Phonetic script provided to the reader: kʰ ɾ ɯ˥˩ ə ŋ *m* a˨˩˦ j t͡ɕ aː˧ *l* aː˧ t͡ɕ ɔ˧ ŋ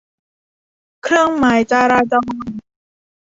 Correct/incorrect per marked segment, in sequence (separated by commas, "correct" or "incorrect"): correct, incorrect